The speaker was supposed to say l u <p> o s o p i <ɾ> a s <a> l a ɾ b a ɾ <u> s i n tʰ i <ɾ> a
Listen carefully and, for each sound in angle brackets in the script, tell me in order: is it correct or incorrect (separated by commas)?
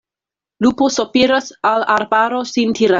correct, correct, correct, incorrect, correct